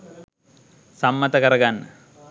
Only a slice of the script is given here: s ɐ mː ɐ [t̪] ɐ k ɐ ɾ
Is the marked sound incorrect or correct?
correct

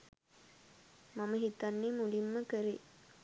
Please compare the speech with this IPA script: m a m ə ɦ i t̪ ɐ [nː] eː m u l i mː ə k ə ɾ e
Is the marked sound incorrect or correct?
correct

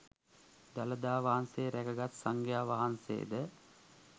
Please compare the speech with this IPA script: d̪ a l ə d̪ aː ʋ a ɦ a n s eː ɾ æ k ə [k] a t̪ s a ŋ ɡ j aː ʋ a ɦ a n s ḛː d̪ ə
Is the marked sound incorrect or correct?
incorrect: ɡ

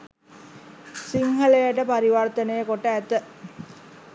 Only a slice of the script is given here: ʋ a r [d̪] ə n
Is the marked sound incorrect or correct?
incorrect: t̪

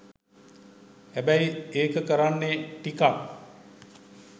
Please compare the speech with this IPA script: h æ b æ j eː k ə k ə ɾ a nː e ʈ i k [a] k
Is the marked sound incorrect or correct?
correct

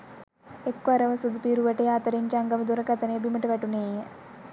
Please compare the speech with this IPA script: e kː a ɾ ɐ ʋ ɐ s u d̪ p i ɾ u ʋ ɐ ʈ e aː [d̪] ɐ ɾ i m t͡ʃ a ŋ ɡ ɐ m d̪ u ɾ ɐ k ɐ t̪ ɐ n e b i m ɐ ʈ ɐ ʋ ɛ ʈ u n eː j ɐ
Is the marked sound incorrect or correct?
incorrect: t̪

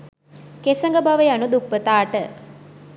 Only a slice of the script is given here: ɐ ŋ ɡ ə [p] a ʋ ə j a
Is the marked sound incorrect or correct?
incorrect: b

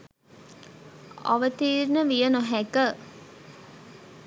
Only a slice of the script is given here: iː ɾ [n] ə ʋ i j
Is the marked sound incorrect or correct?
correct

